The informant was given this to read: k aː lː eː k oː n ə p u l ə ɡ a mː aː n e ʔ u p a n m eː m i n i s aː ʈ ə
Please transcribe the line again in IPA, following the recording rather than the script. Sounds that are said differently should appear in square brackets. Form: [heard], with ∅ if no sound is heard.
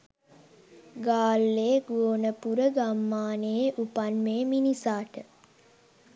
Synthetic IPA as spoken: [ɡ] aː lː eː [ɡ] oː n ə p u [ɾ] ə ɡ a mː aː n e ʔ u p a n m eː m i n i s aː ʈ ə